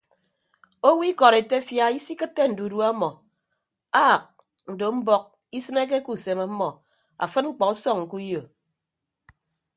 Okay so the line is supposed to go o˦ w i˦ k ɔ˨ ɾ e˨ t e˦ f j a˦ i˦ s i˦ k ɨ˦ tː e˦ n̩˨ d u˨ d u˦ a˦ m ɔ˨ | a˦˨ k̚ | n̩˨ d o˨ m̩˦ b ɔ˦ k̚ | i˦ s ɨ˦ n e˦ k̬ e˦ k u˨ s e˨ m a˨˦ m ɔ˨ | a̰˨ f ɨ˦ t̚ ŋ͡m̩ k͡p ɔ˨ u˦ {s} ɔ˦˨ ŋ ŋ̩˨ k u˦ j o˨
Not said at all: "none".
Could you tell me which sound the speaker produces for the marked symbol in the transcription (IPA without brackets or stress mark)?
s